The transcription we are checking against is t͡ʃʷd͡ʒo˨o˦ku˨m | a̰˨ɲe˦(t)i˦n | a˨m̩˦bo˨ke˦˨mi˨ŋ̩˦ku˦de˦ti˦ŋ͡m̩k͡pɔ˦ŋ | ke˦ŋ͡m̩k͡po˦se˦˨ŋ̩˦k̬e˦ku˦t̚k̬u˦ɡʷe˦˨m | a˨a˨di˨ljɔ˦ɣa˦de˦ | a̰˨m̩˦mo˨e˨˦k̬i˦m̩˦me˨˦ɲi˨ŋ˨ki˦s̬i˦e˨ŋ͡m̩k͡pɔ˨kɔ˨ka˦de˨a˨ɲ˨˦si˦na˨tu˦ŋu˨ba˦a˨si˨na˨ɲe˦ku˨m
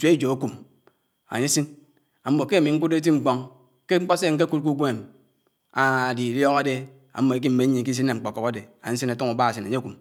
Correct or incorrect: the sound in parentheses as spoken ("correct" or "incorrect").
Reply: incorrect